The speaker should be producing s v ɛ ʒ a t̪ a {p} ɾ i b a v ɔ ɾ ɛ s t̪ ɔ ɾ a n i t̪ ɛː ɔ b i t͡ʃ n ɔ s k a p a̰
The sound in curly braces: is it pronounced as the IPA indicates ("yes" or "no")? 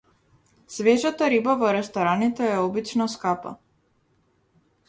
no